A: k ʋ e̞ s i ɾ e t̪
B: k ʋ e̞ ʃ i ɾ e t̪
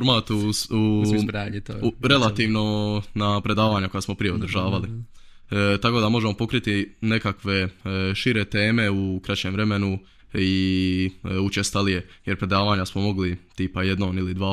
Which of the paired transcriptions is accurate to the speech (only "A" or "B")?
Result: B